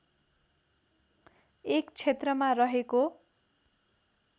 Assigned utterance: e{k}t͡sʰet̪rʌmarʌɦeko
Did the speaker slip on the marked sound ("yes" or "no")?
no